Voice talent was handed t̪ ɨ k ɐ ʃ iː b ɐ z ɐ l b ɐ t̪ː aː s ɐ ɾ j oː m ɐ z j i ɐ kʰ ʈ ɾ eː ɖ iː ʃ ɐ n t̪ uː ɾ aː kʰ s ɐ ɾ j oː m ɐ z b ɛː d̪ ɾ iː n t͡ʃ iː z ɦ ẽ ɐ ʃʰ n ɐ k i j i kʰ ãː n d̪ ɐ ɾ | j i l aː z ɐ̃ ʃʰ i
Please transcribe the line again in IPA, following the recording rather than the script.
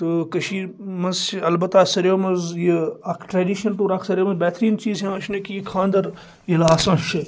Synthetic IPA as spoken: t̪ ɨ k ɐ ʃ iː m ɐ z ɐ l b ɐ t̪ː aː s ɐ ɾ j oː m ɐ z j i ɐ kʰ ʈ ɾ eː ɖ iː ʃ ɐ n t̪ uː ɾ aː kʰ s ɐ ɾ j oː m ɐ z b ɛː t̪ ɾ iː n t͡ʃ iː z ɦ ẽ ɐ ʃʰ n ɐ k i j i kʰ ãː n d̪ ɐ ɾ | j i l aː s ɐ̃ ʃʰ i